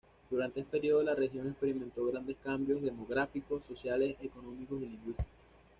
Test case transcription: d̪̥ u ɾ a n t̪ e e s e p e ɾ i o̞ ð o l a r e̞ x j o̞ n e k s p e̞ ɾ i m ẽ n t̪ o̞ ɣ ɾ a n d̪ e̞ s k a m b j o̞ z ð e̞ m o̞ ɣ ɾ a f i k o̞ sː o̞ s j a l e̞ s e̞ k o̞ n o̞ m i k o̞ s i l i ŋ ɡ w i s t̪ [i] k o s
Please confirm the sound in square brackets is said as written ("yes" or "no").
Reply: yes